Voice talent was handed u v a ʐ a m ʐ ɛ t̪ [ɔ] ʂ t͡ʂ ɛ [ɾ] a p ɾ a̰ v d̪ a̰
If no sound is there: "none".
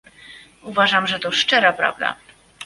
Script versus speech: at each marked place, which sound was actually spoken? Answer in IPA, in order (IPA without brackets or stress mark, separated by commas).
ɔ, ɾ